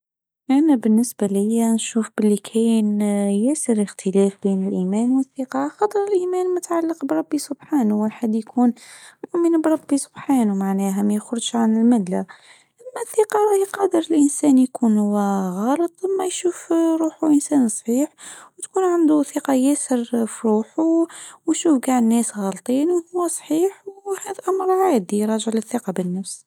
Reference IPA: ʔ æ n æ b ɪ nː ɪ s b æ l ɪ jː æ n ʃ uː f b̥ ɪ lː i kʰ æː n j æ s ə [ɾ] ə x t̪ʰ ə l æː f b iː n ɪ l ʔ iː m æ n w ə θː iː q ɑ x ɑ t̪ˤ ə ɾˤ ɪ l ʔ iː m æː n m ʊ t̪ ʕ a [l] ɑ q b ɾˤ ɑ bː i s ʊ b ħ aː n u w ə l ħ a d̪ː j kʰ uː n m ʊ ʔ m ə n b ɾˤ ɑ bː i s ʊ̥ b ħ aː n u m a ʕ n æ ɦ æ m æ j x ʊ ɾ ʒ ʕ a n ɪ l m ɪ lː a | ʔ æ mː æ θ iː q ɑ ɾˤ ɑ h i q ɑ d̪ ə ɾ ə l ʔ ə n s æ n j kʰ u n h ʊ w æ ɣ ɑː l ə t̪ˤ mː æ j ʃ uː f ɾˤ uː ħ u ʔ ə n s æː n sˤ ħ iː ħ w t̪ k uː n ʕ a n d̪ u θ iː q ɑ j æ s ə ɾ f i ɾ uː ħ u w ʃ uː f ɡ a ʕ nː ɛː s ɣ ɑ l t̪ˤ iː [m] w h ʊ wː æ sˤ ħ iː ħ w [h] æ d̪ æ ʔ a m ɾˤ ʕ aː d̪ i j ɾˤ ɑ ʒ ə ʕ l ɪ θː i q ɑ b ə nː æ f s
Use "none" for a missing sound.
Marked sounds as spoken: ɾ, lː, n, h

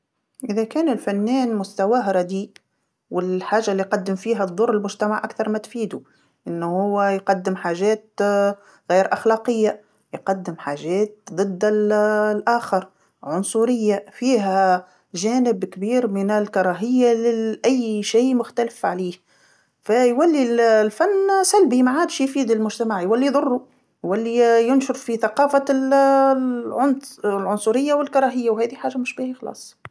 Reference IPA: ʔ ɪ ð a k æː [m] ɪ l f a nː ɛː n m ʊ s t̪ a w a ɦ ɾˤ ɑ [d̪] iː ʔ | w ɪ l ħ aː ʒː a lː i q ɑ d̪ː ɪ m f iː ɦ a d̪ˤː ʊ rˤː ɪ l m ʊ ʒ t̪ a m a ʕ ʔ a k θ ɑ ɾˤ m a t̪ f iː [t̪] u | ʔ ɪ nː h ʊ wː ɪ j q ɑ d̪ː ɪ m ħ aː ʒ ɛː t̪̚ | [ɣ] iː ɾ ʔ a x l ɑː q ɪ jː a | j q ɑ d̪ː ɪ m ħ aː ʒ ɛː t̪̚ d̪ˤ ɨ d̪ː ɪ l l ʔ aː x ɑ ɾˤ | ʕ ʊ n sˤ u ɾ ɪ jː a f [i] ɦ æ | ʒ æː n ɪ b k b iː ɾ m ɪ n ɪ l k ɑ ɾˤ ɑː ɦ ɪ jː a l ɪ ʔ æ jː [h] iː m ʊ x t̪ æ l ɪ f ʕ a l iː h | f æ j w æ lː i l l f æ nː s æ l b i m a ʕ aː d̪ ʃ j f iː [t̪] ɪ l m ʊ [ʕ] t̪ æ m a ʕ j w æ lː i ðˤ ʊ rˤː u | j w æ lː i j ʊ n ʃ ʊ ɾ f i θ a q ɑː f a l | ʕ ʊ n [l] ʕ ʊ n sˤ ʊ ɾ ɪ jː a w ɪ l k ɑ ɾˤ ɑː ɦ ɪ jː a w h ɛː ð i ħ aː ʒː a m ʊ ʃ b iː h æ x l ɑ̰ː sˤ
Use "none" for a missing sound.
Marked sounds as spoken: n, d̪, d̪, ɣ, iː, ʃ, d̪, ʒ, l

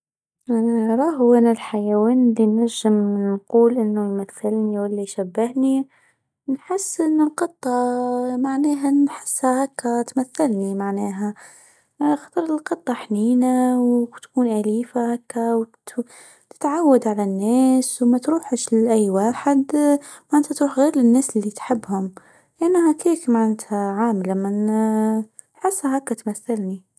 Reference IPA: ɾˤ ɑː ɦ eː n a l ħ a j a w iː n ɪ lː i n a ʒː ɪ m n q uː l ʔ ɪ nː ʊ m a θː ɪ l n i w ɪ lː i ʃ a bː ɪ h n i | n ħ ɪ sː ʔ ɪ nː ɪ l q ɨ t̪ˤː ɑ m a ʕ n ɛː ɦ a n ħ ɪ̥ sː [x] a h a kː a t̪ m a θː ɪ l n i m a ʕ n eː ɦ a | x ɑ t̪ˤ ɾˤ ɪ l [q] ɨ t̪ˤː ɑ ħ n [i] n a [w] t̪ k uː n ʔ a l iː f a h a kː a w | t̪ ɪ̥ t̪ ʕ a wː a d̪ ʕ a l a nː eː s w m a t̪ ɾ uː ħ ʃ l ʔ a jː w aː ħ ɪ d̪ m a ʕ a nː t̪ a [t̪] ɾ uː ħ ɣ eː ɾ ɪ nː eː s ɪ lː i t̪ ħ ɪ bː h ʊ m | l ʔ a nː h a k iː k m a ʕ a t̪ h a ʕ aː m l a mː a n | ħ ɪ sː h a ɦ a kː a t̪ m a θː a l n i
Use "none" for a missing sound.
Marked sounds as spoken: h, q, iː, w, t̪

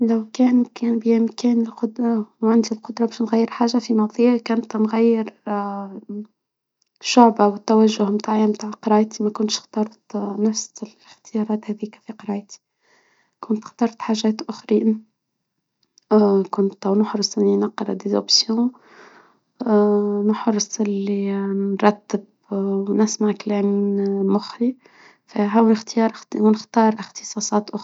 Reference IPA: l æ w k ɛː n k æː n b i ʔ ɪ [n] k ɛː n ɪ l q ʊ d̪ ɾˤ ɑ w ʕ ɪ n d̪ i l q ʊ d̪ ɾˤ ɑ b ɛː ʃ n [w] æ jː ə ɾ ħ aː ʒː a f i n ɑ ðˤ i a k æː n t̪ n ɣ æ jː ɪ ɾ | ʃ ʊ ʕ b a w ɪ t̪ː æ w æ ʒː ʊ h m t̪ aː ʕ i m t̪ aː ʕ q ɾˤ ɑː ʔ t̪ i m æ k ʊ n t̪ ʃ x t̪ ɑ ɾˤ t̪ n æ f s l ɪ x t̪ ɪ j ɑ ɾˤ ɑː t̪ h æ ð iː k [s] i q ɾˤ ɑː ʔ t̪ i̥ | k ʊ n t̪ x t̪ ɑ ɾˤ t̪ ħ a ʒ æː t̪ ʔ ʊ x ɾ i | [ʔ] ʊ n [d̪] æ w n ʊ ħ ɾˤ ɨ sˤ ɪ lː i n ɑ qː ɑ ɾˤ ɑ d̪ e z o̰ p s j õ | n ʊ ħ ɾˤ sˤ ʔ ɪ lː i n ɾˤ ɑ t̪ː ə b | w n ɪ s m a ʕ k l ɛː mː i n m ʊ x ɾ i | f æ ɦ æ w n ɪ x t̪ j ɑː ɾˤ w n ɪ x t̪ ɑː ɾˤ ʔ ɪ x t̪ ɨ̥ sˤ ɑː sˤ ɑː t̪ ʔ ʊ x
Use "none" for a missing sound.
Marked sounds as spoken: m, ɣ, f, k, t̪

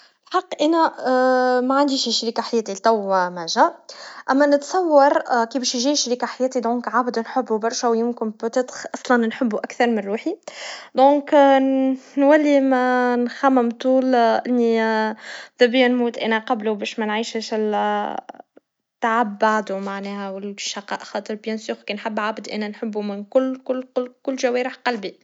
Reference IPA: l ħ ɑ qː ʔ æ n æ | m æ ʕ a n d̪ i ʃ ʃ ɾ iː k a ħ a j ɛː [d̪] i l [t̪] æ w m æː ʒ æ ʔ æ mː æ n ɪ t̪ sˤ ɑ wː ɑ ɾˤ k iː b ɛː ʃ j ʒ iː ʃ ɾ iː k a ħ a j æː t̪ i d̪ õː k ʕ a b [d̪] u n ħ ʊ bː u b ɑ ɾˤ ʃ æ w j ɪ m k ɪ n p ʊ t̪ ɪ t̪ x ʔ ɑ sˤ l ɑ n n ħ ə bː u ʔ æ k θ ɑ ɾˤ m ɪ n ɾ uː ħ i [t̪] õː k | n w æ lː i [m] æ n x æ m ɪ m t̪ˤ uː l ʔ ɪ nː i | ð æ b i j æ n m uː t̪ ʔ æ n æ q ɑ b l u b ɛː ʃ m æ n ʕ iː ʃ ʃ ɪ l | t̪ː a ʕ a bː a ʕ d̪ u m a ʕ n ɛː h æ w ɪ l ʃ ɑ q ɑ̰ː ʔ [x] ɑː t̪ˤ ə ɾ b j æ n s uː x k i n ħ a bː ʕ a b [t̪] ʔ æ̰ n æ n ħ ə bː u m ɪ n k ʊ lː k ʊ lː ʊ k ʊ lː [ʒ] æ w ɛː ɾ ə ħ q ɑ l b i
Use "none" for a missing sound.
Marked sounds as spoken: t̪, t̪, d̪, d̪, m, x, d̪, ʒ

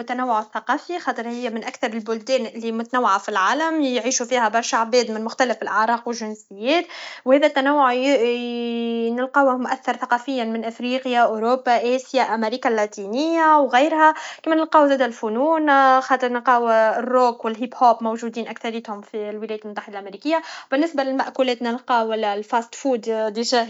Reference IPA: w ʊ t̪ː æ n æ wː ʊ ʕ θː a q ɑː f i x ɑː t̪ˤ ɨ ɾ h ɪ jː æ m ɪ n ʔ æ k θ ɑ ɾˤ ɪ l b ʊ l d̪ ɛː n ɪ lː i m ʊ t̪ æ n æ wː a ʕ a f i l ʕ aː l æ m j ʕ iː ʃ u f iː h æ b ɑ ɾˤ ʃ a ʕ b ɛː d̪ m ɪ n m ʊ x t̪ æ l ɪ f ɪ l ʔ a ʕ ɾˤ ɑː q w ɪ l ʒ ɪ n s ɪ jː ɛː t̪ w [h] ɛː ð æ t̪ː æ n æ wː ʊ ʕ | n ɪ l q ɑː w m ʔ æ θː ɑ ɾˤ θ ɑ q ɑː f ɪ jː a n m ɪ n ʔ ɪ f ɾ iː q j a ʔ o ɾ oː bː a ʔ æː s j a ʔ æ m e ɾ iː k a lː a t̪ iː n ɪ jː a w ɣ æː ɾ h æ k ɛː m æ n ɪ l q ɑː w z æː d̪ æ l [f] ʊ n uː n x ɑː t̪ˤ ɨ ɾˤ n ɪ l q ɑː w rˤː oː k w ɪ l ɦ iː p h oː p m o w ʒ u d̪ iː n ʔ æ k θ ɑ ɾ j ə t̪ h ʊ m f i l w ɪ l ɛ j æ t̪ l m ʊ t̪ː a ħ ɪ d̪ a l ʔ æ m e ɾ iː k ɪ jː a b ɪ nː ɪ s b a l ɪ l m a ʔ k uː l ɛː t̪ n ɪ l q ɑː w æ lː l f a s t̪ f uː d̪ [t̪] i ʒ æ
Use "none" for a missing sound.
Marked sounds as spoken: h, f, d̪

